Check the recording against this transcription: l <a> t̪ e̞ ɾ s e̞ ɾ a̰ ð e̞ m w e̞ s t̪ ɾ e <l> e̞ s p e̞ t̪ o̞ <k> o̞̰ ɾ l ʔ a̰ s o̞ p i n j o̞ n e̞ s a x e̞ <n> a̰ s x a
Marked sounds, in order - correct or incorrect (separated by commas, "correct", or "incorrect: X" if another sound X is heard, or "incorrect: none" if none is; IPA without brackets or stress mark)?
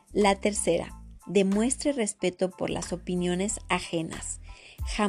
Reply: correct, incorrect: r, incorrect: p, correct